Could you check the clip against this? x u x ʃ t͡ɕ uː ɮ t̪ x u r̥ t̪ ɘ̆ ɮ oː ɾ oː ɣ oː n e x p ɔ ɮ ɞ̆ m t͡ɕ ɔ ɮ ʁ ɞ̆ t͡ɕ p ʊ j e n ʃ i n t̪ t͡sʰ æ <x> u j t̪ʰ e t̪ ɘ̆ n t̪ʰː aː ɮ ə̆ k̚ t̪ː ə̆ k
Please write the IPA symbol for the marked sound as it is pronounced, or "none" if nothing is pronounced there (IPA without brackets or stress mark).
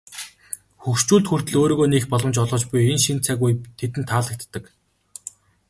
ɣ